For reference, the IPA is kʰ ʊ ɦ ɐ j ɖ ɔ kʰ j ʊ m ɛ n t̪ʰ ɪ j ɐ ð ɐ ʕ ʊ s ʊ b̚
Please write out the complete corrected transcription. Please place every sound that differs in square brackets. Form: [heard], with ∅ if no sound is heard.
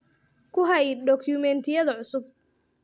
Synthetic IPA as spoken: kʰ ʊ ɦ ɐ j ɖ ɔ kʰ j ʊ m ɛ n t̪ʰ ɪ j ɐ ð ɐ ʕ ʊ s ʊ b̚